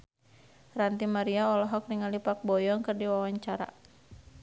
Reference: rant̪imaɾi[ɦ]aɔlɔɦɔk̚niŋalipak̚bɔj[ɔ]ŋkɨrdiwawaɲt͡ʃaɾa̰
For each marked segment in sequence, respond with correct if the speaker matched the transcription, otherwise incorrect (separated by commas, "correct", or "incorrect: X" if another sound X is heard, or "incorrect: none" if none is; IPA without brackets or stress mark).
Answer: incorrect: none, correct